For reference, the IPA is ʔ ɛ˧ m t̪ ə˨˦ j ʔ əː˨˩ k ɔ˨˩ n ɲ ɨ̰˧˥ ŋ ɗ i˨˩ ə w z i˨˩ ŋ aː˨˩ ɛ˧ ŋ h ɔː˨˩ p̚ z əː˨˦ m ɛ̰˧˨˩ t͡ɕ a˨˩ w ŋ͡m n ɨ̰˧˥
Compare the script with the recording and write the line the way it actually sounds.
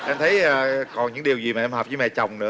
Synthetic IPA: ʔ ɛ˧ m t̪ʰ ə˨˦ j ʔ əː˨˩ k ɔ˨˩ n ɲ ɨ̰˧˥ ŋ ɗ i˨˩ ə w z i˨˩ m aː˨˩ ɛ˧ m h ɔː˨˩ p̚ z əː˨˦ m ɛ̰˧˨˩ t͡ɕ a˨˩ w ŋ͡m n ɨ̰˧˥